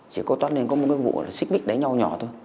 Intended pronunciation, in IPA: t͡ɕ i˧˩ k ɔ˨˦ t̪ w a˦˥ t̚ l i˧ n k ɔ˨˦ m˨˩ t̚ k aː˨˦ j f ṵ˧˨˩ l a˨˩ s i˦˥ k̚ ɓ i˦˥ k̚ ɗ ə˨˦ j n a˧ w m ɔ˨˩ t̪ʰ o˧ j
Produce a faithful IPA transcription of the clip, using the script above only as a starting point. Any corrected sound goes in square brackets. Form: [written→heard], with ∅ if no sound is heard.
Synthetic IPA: t͡ɕ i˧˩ k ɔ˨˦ t̪ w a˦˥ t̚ l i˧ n k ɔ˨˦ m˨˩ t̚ k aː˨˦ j [f→v] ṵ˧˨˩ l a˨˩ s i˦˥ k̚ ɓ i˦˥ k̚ ɗ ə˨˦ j [n→ɲ] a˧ w [m→ɲ] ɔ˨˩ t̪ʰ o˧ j

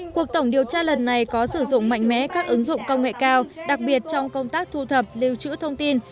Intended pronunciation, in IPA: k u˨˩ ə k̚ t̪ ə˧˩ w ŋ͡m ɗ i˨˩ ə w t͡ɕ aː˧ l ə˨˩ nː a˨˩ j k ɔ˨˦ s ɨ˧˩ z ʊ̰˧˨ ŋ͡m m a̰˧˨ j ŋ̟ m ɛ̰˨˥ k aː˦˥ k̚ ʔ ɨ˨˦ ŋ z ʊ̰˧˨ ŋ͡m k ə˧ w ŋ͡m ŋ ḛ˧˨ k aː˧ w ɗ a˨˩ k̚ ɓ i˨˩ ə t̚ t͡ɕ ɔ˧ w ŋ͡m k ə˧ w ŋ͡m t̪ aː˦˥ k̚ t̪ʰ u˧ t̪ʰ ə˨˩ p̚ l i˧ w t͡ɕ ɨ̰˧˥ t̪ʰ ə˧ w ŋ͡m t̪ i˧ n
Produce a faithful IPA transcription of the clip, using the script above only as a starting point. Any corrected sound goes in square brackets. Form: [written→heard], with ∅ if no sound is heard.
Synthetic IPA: k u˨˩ ə k̚ t̪ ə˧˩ w ŋ͡m ɗ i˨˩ ə w t͡ɕ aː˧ l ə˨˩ nː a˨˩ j k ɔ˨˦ s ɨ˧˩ z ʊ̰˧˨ ŋ͡m m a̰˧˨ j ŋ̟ m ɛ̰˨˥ k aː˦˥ k̚ ʔ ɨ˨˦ ŋ z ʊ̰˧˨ ŋ͡m k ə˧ w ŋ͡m ŋ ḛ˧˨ k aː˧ w ɗ a˨˩ k̚ ɓ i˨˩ ə t̚ t͡ɕ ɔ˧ w ŋ͡m k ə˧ w ŋ͡m t̪ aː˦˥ k̚ t̪ʰ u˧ t̪ʰ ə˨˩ p̚ l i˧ w t͡ɕ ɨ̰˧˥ t̪ʰ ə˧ w ŋ͡m t̪ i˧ n

